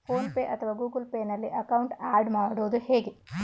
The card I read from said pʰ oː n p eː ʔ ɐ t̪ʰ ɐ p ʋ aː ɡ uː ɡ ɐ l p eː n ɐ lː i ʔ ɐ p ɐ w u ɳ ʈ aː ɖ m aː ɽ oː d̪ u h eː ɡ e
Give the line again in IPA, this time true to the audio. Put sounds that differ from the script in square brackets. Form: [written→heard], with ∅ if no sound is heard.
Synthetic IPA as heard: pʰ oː n p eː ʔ ɐ t̪ʰ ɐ [p→∅] ʋ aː ɡ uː ɡ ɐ l p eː n ɐ lː i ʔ ɐ [p→k] ɐ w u ɳ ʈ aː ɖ m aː ɽ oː d̪ u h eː ɡ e